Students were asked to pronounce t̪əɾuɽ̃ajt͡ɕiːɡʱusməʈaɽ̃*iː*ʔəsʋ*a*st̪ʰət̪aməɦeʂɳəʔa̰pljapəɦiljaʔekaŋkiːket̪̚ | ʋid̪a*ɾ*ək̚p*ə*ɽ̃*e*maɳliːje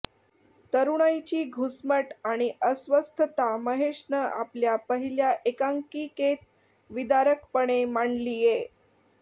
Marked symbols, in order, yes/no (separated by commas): no, no, yes, yes, yes